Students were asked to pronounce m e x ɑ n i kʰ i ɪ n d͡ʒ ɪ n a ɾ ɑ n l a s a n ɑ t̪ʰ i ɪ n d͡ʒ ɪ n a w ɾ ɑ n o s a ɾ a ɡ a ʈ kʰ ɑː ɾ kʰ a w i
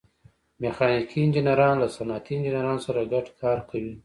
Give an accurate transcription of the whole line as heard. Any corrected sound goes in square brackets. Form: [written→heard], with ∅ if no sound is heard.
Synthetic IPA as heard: m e x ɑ n i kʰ i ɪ n d͡ʒ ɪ n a ɾ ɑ n l a s a n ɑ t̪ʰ i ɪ n d͡ʒ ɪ n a [w→∅] ɾ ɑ n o s a ɾ a ɡ a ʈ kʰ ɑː ɾ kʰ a w i